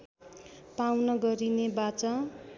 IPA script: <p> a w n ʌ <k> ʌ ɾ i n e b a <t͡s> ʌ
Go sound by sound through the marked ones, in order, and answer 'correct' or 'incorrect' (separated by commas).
correct, incorrect, correct